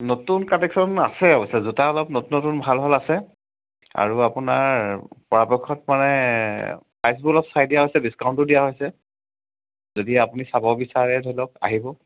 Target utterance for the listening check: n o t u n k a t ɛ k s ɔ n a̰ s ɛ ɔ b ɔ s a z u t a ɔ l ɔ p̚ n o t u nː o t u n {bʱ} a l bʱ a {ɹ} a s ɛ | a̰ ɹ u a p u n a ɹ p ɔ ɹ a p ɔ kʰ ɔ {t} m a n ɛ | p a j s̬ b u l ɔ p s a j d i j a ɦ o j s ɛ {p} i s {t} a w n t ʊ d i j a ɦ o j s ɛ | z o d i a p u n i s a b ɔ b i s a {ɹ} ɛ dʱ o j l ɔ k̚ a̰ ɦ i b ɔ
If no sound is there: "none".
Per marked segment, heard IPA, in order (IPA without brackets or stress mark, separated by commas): bʱ, l, t, b, k, ɹ